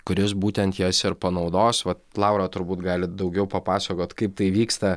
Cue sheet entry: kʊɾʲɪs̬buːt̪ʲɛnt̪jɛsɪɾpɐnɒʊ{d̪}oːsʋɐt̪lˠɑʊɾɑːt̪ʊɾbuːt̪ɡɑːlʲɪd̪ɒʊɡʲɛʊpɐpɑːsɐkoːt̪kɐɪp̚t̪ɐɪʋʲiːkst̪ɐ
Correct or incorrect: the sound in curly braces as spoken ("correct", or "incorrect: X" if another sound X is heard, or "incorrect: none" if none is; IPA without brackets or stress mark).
correct